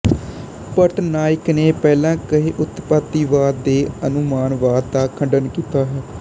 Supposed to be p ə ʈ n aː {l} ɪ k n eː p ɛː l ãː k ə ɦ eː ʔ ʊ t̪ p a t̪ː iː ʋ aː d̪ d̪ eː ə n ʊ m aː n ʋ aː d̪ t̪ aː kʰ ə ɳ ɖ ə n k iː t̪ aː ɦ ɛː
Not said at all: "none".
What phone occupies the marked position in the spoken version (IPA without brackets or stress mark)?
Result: none